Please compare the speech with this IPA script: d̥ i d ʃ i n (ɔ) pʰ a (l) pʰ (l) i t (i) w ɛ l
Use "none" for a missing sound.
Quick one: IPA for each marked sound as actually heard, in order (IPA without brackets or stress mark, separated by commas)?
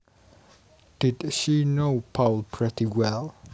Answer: o, l, ɹ, i